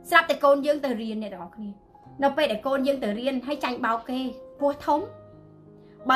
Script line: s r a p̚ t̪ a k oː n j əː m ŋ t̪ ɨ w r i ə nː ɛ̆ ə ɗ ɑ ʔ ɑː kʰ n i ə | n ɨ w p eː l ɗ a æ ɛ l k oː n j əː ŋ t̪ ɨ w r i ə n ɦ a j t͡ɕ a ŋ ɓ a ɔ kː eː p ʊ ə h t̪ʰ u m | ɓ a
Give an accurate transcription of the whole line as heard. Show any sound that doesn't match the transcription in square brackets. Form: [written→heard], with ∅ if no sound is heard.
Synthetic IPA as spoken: s r a p̚ t̪ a k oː n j əː [m→∅] ŋ t̪ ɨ w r i ə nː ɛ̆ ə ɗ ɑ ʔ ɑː kʰ n i ə | n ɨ w p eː l ɗ a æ ɛ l k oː n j əː ŋ t̪ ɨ w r i ə n ɦ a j t͡ɕ a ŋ ɓ a ɔ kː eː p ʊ ə h t̪ʰ u m | ɓ a